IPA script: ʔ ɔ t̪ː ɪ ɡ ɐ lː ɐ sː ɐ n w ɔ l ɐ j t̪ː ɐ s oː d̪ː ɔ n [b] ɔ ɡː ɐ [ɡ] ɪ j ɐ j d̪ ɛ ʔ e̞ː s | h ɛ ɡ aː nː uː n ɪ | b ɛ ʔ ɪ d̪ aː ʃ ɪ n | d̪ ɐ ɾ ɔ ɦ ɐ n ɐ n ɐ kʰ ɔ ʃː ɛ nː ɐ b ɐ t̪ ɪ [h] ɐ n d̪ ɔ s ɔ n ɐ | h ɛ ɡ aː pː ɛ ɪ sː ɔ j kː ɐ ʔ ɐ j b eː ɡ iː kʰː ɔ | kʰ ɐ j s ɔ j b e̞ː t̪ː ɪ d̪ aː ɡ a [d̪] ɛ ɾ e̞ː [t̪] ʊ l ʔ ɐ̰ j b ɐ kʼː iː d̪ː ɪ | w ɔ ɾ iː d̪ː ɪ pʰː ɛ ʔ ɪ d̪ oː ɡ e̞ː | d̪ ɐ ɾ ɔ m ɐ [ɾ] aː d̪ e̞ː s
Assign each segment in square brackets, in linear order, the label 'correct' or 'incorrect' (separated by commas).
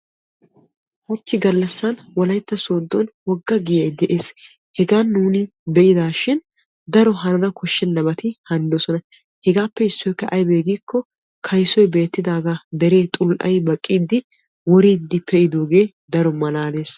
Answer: incorrect, correct, correct, correct, incorrect, incorrect